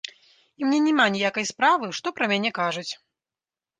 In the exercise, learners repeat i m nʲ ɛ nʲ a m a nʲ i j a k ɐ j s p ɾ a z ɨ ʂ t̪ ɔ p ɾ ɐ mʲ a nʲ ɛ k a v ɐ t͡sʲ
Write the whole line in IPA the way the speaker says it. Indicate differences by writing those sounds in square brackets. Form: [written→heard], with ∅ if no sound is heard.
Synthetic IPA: i m nʲ ɛ nʲ [a→ɛ] m a nʲ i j a k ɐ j s p ɾ a [z→v] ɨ ʂ t̪ ɔ p ɾ ɐ mʲ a nʲ ɛ k a [v→ʐ] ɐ t͡sʲ